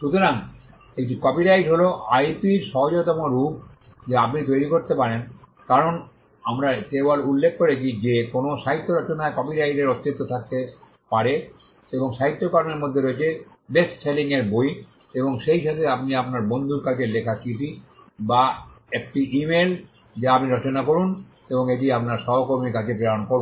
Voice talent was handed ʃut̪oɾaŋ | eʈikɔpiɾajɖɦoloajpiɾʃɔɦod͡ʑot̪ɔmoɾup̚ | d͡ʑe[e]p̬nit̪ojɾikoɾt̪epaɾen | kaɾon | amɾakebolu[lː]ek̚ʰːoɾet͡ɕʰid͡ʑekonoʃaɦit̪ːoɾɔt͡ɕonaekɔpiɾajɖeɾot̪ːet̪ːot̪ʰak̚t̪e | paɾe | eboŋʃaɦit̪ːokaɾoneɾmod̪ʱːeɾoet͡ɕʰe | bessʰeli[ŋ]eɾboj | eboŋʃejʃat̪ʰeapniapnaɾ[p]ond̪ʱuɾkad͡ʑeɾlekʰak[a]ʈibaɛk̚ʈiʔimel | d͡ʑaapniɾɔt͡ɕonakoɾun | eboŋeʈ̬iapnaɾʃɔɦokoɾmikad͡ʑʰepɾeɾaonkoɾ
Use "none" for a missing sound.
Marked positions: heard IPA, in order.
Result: a, lː, ŋ, b, i

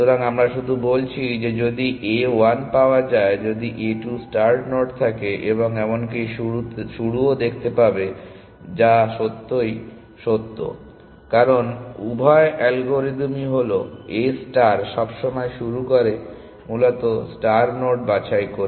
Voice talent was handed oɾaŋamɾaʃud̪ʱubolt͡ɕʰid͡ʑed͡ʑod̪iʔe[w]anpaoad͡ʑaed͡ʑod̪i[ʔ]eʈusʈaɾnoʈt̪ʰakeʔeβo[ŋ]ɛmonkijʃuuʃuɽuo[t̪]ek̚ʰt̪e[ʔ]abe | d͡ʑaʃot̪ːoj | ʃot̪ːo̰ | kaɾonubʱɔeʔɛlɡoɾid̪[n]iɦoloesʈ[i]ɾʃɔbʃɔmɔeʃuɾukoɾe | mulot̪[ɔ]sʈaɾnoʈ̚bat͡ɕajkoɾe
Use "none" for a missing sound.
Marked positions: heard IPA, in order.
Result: w, ʔ, ŋ, d̪, p, m, a, o

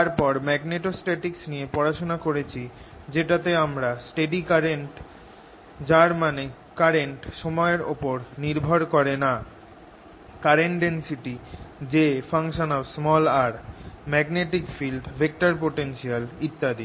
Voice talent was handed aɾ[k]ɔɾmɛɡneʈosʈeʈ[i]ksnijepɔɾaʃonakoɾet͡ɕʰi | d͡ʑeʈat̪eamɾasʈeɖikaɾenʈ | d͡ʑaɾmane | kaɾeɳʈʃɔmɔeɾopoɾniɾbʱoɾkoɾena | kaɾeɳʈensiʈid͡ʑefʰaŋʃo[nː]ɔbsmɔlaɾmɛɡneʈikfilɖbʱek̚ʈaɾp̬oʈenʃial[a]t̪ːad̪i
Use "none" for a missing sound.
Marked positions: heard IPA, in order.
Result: p, i, n, i

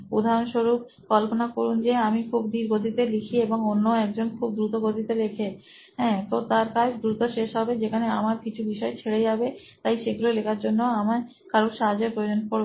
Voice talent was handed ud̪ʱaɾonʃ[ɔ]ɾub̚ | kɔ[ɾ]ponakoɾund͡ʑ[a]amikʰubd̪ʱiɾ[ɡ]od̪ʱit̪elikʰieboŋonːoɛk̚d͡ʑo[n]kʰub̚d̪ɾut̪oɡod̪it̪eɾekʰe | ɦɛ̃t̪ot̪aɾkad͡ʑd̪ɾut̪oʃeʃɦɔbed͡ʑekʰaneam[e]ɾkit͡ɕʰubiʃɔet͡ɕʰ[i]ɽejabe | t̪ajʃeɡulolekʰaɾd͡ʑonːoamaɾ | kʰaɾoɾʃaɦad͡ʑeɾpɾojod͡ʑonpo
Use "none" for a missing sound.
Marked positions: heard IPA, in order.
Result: o, l, e, ɡ, n, a, e

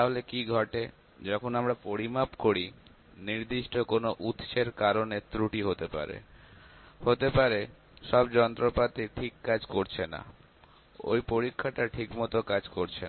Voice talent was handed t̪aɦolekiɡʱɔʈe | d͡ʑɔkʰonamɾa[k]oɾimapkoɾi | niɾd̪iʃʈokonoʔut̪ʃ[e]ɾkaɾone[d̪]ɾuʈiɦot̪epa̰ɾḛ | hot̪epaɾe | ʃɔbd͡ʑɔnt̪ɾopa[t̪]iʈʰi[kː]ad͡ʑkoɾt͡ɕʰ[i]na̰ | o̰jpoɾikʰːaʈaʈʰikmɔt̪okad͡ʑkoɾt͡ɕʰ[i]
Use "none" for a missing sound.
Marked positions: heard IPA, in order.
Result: p, e, t̪, t̪, kː, e, e

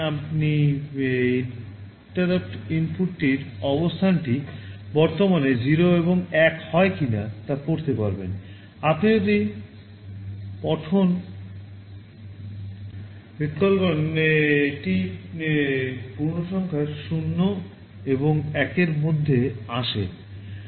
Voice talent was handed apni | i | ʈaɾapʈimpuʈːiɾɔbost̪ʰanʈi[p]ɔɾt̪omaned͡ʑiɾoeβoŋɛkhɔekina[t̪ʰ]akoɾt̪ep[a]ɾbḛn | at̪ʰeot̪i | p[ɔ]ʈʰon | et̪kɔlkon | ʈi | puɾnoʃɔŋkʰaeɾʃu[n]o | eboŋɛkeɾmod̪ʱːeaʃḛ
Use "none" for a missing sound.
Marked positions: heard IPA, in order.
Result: b, t̪, a, ɔ, nː

